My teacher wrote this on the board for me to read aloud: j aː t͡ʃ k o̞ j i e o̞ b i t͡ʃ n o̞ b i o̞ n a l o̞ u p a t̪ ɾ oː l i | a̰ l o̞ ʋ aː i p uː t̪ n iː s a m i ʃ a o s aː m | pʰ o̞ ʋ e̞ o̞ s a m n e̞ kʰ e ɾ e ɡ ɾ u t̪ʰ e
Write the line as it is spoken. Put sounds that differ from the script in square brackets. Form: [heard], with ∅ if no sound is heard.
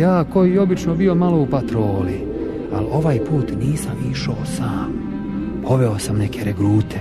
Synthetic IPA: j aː [∅] k o̞ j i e o̞ b i t͡ʃ n o̞ b i o̞ [m] a l o̞ u p a t̪ ɾ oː l i | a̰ l o̞ ʋ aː [j] p uː t̪ n iː s a m i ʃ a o s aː m | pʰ o̞ ʋ e̞ o̞ s a m n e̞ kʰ e ɾ e ɡ ɾ [uː] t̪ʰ e